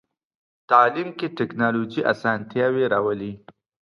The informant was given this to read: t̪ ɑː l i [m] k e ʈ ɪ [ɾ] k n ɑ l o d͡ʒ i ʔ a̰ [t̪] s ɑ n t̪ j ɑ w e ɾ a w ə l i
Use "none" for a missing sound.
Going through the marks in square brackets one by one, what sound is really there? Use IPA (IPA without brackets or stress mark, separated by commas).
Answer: m, none, none